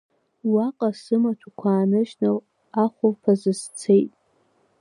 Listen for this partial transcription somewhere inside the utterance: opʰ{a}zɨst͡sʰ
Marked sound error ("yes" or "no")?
no